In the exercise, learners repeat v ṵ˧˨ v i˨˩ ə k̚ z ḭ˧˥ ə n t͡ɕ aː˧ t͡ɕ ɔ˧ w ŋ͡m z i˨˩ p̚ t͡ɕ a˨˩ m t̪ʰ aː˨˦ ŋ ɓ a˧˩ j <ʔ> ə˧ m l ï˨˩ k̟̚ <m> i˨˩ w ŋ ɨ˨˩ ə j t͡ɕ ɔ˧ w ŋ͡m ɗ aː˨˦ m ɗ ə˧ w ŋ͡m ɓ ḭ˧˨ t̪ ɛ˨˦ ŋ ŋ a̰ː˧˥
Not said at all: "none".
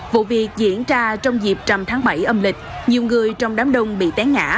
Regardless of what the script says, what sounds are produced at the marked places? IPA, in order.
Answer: ʔ, ɲ

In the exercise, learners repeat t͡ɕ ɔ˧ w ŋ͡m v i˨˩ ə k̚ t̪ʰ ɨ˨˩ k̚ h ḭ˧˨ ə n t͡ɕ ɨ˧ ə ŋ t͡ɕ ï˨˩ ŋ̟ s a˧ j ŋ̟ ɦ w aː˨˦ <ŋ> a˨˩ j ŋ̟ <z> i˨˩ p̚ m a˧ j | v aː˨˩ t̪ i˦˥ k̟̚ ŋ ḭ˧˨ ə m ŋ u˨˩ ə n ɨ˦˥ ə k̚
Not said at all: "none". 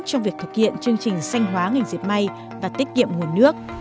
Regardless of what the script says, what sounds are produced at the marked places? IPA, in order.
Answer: ŋ, z

